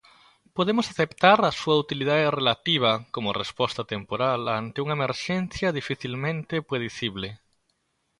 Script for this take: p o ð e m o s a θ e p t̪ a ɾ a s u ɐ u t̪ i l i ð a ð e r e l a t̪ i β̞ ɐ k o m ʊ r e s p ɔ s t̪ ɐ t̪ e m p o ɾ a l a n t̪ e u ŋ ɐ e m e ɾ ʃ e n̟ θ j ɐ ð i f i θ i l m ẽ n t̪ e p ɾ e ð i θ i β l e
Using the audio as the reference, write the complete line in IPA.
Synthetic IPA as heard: p o ð e m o s a θ e p t̪ a ɾ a s u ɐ u t̪ i l i ð a ð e r e l a t̪ i β̞ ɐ k o m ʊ r e s p ɔ s t̪ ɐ t̪ e m p o ɾ a l a n t̪ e u ŋ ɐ e m e ɾ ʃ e n̟ θ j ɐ ð i f i θ i l m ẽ n t̪ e p ɾ e ð i θ i β l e